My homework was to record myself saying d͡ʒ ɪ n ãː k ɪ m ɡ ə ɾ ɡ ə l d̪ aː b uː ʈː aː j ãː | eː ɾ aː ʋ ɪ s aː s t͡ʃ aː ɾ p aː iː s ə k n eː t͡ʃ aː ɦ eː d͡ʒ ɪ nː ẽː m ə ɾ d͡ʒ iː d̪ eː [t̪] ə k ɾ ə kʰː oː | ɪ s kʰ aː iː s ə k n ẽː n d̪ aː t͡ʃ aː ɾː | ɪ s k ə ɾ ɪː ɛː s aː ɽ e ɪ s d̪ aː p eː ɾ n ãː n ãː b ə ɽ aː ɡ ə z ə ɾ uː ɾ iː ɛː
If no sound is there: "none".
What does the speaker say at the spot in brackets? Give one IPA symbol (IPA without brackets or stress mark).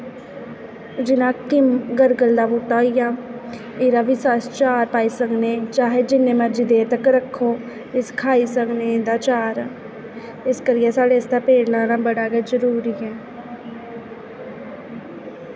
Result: t̪